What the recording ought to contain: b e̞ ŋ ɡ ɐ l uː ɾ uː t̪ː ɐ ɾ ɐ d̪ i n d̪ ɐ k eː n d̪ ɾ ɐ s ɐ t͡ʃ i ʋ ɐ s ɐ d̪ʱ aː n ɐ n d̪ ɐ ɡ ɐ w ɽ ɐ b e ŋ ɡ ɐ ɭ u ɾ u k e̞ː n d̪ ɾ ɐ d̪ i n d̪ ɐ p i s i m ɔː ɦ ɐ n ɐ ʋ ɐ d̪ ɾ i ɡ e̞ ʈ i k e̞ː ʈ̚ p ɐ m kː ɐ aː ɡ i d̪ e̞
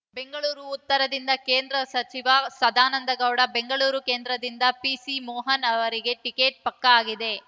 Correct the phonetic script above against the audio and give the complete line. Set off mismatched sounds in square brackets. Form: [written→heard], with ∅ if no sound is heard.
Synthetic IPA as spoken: b e̞ ŋ ɡ ɐ [l→ɭ] uː ɾ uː t̪ː ɐ ɾ ɐ d̪ i n d̪ ɐ k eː n d̪ ɾ ɐ s ɐ t͡ʃ i ʋ ɐ s ɐ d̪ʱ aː n ɐ n d̪ ɐ ɡ ɐ w ɽ ɐ b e ŋ ɡ ɐ ɭ [u→uː] ɾ u k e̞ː n d̪ ɾ ɐ d̪ i n d̪ ɐ p i s i m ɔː ɦ ɐ n ɐ ʋ ɐ [d̪→∅] ɾ i ɡ e̞ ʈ i k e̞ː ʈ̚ p ɐ [m→∅] kː ɐ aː ɡ i d̪ e̞